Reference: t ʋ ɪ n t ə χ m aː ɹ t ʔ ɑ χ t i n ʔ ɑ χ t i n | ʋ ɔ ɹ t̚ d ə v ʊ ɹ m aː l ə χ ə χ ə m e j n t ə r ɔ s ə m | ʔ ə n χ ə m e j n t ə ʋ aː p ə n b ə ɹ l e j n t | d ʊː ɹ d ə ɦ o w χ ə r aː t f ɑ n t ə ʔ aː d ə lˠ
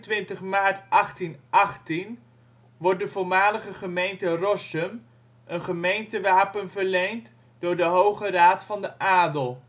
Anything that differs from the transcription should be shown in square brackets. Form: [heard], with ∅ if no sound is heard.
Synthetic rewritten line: t ʋ ɪ n t ə χ m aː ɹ t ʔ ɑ χ t i n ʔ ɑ χ t i n | ʋ ɔ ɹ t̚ d ə v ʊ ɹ m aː l ə χ ə χ ə m e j n t ə r ɔ s ə m | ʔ ə n χ ə m e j n t ə ʋ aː p ə n [v] ə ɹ l e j n t | d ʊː ɹ d ə ɦ o w χ ə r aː t f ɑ n [d] ə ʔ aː d ə lˠ